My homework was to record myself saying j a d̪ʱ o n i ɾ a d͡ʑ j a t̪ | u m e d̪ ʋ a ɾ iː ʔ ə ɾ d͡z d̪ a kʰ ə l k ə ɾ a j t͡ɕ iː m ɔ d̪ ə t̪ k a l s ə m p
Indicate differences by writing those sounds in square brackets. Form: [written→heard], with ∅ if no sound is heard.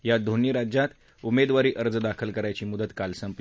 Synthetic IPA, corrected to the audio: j a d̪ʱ o n i ɾ a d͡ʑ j a t̪ | u m e d̪ ʋ a ɾ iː ʔ ə ɾ d͡z d̪ a kʰ ə l k ə ɾ a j t͡ɕ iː m [ɔ→u] d̪ ə t̪ k a l s ə m p